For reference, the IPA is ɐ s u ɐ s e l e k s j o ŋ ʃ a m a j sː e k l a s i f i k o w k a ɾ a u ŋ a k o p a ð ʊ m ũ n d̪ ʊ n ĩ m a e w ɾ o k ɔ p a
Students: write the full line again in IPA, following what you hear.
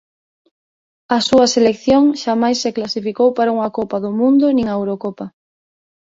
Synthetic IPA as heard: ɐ s u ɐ s e l e k θ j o ŋ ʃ a m a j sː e k l a s i f i k o w p a ɾ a u ŋ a k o p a ð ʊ m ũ n d̪ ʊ n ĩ ŋ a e w ɾ o k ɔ p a